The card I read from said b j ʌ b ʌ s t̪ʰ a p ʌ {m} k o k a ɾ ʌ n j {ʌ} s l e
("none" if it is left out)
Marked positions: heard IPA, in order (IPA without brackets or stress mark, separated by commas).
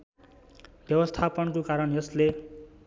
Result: n, ʌ